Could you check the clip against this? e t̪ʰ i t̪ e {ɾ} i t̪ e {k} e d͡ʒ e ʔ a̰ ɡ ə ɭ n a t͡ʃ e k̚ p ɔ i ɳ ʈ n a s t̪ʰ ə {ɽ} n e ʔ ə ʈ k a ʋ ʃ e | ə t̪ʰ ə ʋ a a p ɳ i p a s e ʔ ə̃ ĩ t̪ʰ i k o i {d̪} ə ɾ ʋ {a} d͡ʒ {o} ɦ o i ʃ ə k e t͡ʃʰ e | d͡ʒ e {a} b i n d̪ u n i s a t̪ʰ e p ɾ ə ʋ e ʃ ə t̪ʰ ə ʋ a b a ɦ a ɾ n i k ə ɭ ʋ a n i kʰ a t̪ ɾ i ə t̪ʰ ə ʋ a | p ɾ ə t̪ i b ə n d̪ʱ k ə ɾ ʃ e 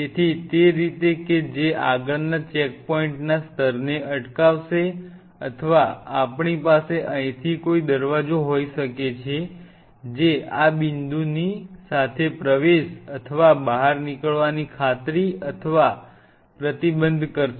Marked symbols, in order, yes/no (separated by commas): yes, yes, no, yes, yes, yes, yes